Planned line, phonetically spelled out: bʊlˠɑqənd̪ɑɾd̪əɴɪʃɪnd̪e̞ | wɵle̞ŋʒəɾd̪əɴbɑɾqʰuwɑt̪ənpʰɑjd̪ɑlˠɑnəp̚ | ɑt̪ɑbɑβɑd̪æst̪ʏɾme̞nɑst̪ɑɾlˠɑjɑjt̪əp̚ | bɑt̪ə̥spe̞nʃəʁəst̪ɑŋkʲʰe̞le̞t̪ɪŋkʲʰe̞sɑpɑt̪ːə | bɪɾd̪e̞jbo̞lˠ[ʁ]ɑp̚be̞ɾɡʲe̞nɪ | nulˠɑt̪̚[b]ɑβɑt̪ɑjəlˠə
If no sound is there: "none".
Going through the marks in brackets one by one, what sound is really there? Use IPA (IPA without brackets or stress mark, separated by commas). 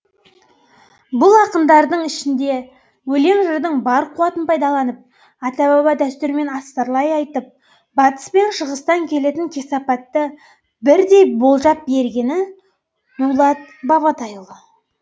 ʒ, b